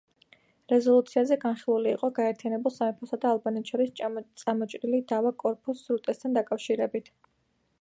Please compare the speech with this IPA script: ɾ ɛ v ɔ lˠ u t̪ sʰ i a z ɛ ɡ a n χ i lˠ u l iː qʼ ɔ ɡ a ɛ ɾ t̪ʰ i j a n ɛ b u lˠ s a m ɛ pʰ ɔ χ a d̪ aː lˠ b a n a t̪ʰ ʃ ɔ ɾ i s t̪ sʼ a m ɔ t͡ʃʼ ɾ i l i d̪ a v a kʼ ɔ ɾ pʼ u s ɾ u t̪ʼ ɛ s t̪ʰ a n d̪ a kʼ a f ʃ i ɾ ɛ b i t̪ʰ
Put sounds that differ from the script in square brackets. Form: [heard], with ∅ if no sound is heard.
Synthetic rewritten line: ɾ ɛ [z] ɔ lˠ u t̪ sʰ i a z ɛ ɡ a n χ i lˠ u l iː qʼ ɔ ɡ a ɛ ɾ t̪ʰ i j a n ɛ b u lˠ s a m ɛ pʰ ɔ [s] a d̪ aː lˠ b a n [ɛ] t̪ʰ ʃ ɔ ɾ i s t̪ sʼ a m ɔ t͡ʃʼ ɾ i l i d̪ a v a kʼ ɔ ɾ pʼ u s ɾ u t̪ʼ ɛ s t̪ʰ a n d̪ a kʼ a f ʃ i ɾ ɛ b i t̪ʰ